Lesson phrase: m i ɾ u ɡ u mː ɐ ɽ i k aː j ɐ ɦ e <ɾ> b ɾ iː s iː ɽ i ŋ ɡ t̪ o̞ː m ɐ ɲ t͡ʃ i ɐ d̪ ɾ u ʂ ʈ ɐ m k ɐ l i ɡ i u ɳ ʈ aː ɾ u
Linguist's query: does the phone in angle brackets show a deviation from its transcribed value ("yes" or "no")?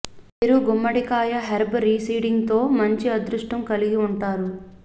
no